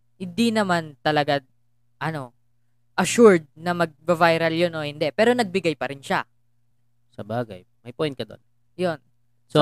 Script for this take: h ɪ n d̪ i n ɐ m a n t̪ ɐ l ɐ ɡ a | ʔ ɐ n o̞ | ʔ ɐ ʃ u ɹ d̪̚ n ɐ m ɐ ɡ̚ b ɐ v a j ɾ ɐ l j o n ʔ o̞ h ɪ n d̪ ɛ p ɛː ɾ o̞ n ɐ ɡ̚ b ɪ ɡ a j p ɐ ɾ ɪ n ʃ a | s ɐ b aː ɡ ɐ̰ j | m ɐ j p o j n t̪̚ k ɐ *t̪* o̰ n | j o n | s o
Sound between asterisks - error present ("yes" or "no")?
yes